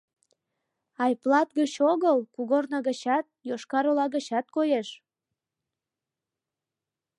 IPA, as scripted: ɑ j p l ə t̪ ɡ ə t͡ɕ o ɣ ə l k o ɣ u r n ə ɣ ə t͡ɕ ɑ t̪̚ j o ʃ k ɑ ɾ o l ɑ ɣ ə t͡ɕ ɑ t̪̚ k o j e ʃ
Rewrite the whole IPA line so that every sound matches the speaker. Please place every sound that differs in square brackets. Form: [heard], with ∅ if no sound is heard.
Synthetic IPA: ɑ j p l [ɑ] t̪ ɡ ə t͡ɕ o ɣ ə l k [u] ɣ [o] r n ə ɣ ə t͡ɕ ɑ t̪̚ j o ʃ k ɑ ɾ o l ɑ ɣ ə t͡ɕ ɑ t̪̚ k o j e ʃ